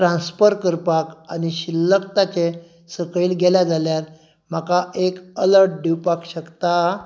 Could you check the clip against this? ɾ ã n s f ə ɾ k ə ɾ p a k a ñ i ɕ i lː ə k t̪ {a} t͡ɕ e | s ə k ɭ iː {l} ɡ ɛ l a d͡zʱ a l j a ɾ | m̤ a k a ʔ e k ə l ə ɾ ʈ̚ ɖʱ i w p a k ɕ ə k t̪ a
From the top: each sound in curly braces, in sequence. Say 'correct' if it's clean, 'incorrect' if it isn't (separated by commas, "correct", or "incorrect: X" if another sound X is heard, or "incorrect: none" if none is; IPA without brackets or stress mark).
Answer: correct, correct